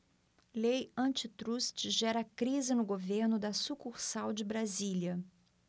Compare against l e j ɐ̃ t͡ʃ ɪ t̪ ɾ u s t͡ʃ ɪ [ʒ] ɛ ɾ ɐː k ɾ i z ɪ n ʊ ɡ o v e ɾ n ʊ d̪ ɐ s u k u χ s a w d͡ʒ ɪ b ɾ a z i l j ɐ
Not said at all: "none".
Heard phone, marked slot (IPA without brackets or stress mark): ʒ